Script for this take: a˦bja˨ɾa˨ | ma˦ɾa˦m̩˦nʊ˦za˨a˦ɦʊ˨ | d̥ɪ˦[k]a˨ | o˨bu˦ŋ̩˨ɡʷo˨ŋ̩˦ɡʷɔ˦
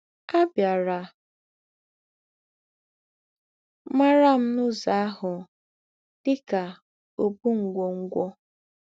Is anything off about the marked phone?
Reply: no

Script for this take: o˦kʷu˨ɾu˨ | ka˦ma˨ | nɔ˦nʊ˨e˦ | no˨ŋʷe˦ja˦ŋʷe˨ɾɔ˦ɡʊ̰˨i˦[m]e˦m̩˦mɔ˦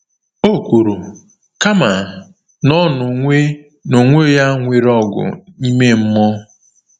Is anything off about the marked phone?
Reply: no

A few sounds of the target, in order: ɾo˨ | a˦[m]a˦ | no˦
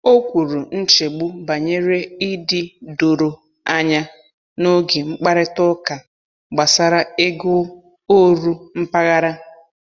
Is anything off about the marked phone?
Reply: yes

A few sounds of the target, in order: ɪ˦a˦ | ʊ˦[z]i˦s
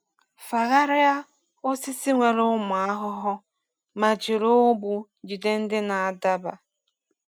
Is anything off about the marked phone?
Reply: yes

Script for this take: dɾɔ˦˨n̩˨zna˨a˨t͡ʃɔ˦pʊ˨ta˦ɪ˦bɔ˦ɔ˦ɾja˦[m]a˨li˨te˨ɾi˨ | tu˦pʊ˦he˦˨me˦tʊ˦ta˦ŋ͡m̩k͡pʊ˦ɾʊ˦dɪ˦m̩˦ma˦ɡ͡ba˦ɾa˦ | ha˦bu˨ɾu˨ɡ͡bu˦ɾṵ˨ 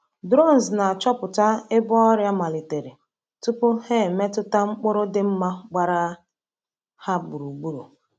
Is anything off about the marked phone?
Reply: no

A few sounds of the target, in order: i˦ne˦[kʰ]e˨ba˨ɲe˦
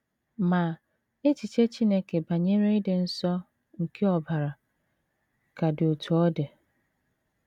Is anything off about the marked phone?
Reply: yes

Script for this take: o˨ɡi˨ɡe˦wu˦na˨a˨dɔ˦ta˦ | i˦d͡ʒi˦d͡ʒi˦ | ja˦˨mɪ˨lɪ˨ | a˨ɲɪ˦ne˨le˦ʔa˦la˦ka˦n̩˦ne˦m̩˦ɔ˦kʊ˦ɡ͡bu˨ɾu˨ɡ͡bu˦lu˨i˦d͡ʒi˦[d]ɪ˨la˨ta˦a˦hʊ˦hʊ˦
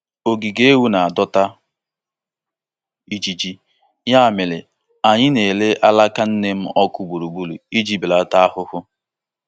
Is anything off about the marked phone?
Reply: yes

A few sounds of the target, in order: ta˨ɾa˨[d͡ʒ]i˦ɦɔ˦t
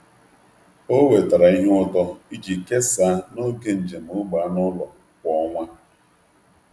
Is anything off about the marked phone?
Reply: yes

